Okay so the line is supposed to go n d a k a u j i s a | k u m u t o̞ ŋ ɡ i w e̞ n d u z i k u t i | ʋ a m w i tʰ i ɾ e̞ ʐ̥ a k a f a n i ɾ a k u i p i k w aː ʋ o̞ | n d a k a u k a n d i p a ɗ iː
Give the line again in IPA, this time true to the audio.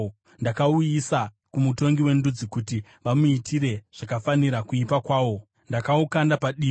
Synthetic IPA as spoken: n d a k a u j i s a | k u m u t o̞ ŋ ɡ i w e̞ n d u d͡z i k u t i | ʋ a m u i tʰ i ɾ e̞ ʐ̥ a k a f a n i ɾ a k u i p a k w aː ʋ o̞ | n d a k a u k a n d a p a ɗ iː